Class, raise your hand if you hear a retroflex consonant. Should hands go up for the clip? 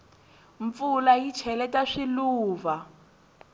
yes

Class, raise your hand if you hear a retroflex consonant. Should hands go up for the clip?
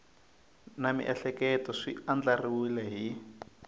yes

